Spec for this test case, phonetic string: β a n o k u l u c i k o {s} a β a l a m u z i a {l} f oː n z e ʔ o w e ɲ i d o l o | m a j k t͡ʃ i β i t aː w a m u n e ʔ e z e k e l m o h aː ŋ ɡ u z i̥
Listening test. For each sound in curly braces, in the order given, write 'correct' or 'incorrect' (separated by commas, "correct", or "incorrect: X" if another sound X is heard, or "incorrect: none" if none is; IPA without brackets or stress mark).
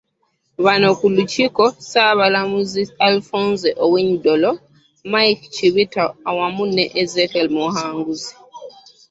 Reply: correct, correct